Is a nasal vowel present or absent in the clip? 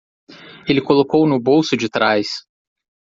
absent